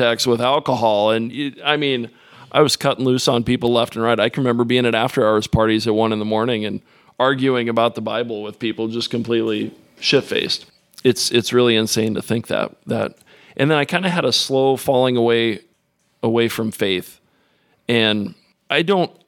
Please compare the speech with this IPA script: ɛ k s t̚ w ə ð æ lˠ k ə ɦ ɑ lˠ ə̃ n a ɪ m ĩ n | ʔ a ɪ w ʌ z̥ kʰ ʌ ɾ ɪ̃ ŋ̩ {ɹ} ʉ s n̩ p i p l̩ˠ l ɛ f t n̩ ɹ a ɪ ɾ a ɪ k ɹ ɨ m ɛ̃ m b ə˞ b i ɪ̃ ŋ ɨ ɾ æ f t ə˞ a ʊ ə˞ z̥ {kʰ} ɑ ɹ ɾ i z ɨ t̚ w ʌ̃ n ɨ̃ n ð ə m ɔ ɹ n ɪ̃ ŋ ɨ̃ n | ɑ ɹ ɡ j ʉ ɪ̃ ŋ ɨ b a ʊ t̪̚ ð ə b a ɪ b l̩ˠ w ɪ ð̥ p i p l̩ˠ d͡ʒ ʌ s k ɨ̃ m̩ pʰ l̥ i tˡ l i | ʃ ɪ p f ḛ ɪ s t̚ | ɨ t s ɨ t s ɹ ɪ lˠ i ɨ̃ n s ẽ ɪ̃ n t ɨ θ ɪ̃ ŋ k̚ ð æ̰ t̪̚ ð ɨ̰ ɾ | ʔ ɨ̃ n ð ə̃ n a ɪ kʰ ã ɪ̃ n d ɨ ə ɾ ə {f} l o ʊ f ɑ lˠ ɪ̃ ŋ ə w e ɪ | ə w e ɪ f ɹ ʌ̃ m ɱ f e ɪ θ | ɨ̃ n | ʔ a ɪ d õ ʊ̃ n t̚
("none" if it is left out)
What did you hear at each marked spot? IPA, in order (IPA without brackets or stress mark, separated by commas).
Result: l, pʰ, s